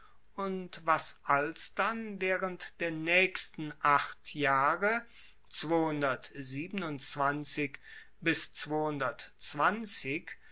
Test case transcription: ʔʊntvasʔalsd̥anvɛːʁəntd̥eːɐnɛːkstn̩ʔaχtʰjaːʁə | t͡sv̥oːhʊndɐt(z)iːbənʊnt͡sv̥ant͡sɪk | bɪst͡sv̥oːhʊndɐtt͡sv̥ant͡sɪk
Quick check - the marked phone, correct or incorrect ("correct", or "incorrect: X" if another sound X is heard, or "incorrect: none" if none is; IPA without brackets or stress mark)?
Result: correct